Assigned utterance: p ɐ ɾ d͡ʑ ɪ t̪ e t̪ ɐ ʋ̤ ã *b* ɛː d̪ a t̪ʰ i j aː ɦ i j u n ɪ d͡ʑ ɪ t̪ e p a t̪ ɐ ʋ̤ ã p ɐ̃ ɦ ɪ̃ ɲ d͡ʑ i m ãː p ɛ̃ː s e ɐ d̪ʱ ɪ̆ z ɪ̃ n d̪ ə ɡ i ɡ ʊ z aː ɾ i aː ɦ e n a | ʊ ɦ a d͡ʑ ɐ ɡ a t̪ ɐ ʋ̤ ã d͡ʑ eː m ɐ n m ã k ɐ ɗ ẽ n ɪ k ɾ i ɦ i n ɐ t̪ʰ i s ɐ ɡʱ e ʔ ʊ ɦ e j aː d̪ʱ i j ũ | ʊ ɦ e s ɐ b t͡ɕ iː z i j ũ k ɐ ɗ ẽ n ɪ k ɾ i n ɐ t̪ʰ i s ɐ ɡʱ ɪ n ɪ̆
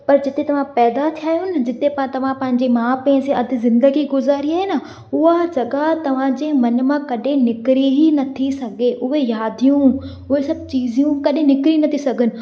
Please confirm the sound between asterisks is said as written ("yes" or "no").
no